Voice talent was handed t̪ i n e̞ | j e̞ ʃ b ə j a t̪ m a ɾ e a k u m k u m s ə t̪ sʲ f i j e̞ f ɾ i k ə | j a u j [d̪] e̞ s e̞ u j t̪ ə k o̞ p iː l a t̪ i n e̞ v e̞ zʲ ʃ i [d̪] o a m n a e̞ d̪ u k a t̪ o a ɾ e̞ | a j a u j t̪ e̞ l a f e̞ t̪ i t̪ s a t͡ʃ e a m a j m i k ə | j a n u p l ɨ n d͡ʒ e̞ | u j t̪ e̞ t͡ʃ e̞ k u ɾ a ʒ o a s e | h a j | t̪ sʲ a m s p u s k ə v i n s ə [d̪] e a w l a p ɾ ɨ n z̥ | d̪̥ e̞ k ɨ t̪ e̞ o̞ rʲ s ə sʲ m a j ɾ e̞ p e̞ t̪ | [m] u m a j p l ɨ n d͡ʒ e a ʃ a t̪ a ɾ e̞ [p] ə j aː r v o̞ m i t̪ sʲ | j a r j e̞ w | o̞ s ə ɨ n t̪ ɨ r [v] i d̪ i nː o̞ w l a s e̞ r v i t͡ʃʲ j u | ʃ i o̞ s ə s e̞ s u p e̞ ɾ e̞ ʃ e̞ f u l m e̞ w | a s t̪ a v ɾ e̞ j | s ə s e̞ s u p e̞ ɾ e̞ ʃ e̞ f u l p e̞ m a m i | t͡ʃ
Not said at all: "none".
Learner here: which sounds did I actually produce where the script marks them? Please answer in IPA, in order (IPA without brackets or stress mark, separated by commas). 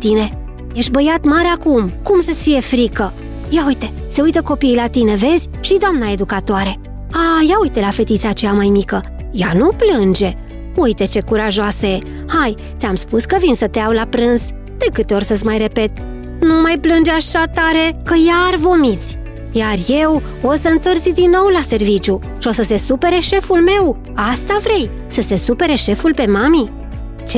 t̪, d̪, t̪, n, k, z